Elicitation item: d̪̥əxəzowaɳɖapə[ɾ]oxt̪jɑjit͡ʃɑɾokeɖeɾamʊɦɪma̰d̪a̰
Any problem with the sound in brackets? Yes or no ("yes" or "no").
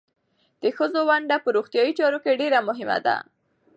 no